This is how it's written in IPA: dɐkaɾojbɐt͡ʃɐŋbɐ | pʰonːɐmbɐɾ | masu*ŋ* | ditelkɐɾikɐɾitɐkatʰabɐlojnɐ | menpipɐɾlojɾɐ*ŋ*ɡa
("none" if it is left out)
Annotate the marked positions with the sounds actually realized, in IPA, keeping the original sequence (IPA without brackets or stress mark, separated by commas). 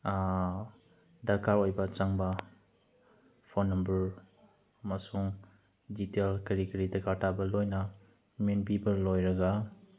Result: ŋ, none